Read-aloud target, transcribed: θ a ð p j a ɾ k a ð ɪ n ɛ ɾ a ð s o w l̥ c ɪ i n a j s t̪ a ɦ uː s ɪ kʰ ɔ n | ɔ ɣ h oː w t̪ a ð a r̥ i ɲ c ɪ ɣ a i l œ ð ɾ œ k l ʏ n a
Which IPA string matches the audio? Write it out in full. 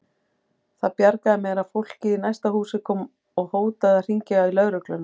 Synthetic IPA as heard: θ a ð p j a ɾ k a ð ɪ m ɛ ɾ a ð f o w l̥ c ɪ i n a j s t̪ a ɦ uː s ɪ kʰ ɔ m | ɔ ɣ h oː w t̪ a ð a r̥ i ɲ c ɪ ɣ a i l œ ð ɾ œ k l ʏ n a